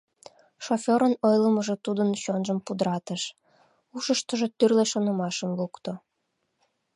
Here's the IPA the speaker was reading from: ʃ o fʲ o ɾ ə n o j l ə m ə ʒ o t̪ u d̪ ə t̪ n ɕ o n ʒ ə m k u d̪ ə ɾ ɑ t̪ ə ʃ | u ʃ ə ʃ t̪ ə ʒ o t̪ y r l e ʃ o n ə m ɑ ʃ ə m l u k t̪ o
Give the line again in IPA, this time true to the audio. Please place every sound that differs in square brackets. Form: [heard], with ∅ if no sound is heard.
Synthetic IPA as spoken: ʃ o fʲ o ɾ ə n o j l ə m ə ʒ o t̪ u d̪ ə [∅] n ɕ o n ʒ ə m [p] u d̪ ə ɾ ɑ t̪ ə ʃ | u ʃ ə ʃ t̪ ə ʒ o t̪ y r l e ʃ o n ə m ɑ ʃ ə m l u k t̪ o